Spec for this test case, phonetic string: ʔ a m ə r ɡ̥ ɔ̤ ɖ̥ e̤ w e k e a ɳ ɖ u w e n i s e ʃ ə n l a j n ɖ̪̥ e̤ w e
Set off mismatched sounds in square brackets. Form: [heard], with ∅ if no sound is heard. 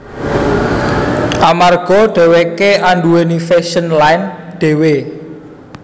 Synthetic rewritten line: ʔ a m [a] r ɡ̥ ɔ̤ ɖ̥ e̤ w e k e a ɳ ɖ u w e n i [f] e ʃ ə n l a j n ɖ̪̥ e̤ w e